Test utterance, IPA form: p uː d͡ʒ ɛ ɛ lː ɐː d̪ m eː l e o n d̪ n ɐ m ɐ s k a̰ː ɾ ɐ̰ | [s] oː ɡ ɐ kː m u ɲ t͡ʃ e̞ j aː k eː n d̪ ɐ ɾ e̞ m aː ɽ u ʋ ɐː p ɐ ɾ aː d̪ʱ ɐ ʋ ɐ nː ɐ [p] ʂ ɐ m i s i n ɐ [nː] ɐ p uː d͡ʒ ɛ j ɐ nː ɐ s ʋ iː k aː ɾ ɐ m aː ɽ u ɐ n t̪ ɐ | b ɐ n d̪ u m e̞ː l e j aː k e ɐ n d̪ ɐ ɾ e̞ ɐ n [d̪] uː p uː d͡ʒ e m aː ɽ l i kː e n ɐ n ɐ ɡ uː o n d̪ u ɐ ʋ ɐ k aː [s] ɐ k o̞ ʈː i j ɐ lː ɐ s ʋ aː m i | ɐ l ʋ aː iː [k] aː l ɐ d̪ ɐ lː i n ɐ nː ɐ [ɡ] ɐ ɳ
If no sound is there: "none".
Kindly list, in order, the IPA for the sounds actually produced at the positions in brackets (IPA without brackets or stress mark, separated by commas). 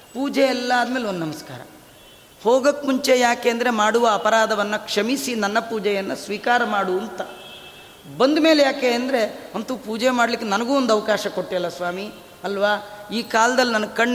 h, k, nː, t̪, ʃ, k, k